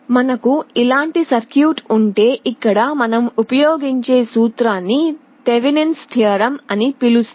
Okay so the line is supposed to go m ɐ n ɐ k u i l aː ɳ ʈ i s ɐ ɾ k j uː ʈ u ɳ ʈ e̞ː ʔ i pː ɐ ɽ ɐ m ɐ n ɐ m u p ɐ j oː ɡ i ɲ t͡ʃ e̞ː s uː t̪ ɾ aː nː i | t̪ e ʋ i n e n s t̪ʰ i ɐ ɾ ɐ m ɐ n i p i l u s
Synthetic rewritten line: m ɐ n ɐ k u i l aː ɳ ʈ i s ɐ ɾ k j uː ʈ u ɳ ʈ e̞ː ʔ i kː ɐ ɽ ɐ m ɐ n ɐ m u p ɐ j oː ɡ i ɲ t͡ʃ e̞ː s uː t̪ ɾ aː nː i | t̪ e ʋ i n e n s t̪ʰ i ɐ ɾ ɐ m ɐ n i p i l u s